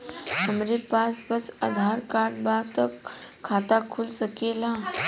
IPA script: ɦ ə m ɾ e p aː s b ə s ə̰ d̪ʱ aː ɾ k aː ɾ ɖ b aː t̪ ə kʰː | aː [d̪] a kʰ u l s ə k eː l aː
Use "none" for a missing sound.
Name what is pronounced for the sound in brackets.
t̪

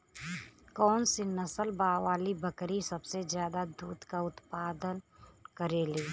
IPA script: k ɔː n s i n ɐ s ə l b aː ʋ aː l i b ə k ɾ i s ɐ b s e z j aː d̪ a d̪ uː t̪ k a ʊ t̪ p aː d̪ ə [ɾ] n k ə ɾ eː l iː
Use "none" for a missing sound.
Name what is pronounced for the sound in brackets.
none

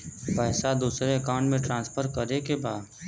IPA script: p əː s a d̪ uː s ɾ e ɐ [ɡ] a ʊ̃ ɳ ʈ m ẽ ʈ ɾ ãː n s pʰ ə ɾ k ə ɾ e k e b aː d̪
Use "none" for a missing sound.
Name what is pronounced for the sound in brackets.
k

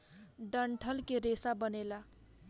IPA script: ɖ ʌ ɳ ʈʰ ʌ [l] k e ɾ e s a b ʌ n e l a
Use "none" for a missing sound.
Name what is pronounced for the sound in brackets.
l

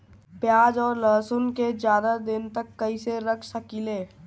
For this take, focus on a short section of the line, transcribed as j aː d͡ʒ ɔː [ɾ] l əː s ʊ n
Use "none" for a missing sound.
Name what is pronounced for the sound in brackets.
ɾ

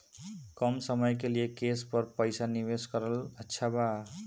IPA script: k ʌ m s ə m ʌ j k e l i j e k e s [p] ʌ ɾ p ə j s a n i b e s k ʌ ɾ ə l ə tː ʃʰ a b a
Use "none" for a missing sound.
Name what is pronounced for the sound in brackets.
p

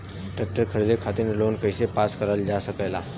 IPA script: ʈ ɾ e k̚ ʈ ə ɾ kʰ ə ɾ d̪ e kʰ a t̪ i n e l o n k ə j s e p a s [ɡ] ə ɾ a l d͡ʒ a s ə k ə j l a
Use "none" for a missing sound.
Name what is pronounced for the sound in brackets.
k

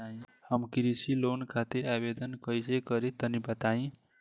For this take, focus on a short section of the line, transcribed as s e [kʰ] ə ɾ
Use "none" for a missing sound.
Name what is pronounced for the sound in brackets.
k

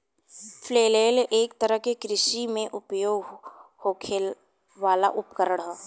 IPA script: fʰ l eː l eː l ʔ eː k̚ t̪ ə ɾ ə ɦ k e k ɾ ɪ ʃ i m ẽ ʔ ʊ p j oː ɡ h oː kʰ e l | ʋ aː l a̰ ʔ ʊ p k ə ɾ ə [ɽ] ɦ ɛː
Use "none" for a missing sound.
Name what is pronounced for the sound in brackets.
ɽ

